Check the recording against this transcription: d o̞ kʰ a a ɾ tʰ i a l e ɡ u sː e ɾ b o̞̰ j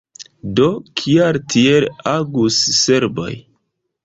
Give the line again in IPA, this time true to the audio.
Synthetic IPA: d o̞ kʰ i a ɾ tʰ i e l a ɡ u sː e ɾ b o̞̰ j